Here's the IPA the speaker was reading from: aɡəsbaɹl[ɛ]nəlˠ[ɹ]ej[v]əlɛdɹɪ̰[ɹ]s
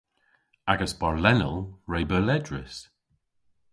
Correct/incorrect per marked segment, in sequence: correct, correct, incorrect: b, incorrect: none

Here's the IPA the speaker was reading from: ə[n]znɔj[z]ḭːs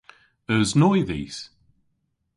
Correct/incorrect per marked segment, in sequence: incorrect: none, incorrect: ð

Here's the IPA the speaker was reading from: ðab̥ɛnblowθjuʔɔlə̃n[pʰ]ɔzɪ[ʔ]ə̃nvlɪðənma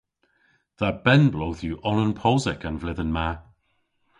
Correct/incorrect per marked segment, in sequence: correct, incorrect: k

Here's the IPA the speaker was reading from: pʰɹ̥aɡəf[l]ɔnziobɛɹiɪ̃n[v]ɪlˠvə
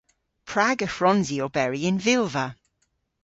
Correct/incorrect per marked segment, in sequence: incorrect: ɹ, correct

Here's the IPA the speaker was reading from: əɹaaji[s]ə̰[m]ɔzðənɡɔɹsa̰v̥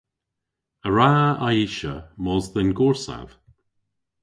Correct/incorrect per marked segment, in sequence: incorrect: ʃ, correct

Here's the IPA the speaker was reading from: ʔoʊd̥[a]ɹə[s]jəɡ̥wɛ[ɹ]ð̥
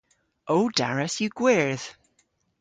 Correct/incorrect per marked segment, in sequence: correct, correct, correct

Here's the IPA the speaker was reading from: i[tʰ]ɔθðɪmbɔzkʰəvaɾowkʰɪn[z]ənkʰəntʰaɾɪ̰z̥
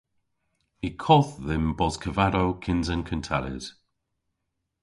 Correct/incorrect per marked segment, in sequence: incorrect: kʰ, correct

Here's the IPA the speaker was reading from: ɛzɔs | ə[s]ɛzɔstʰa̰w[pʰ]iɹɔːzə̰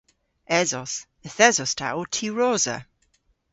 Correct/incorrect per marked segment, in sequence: incorrect: θ, incorrect: tʰ

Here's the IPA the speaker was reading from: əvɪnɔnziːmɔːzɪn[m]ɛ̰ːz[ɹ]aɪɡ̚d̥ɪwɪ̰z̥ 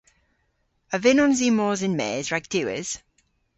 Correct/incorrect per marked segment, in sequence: correct, correct

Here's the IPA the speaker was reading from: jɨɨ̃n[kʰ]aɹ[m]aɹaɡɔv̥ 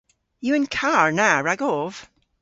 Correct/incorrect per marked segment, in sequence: correct, incorrect: n

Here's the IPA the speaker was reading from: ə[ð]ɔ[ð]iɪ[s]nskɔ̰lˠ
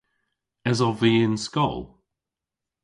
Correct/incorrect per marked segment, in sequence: incorrect: z, incorrect: v, incorrect: none

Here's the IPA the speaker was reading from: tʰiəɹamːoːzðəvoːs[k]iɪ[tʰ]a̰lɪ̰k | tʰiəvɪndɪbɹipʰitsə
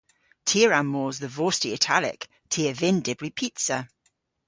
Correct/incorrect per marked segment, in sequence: incorrect: t, correct

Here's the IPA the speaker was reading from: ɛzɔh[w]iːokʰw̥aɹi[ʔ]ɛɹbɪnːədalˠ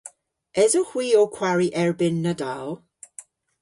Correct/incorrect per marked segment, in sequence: correct, correct

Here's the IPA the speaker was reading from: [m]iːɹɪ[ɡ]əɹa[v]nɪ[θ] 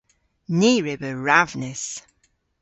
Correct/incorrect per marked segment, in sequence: incorrect: n, incorrect: b, correct, incorrect: s

